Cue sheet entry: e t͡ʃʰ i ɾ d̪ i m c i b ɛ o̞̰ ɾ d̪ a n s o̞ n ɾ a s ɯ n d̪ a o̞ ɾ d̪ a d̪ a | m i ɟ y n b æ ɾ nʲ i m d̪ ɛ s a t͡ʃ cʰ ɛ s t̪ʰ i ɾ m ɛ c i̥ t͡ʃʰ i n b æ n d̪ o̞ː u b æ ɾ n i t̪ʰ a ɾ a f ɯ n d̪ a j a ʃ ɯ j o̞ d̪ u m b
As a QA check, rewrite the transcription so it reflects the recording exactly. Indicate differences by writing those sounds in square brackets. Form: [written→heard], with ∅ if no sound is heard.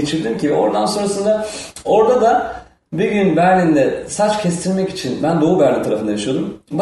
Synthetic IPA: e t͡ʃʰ i ɾ d̪ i m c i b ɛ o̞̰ ɾ d̪ a n s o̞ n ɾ a s ɯ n d̪ a o̞ ɾ d̪ a d̪ a | [m→b] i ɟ y n b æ ɾ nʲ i [m→n] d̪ ɛ s a t͡ʃ cʰ ɛ s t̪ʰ i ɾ m ɛ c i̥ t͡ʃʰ i n b æ n d̪ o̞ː u b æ ɾ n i t̪ʰ a ɾ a f ɯ n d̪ a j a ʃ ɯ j o̞ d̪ u m b